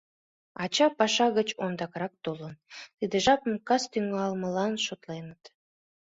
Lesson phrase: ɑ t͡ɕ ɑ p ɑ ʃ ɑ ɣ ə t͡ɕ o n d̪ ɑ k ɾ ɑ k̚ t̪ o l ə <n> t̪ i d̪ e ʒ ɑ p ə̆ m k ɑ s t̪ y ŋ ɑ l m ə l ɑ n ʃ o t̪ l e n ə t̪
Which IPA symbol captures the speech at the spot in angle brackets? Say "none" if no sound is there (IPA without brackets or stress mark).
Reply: n